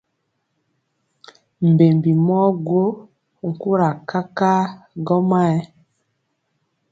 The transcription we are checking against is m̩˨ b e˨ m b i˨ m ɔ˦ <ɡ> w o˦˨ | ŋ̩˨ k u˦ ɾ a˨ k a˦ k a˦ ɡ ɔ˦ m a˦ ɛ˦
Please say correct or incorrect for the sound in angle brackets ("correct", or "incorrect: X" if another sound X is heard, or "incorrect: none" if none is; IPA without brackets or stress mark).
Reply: correct